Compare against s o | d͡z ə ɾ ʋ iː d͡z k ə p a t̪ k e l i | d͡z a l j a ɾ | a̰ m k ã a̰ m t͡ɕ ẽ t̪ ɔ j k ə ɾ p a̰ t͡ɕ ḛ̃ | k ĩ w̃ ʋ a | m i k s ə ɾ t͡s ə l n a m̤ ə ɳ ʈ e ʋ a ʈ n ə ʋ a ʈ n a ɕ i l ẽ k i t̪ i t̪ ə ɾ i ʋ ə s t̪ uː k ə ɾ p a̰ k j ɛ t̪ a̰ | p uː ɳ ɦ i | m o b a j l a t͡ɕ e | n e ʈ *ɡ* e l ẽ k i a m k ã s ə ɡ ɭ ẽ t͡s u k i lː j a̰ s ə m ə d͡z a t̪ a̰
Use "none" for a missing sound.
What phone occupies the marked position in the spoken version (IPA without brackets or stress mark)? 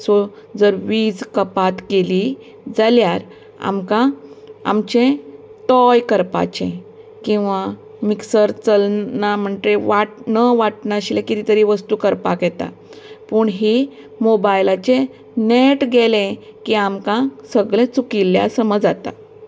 ɡ